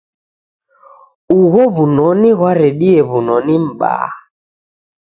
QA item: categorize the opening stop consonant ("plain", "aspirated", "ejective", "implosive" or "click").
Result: implosive